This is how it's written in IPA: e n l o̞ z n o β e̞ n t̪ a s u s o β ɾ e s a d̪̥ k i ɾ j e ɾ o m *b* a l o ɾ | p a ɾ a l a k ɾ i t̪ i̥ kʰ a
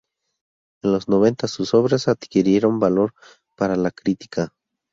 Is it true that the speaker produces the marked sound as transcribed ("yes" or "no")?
yes